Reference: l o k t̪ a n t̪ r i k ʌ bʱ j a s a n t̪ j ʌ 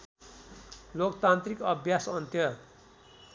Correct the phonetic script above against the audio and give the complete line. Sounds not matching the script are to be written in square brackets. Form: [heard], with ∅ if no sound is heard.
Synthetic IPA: l o k t̪ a n t̪ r i k ʌ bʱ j a s [ʌ] n t̪ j ʌ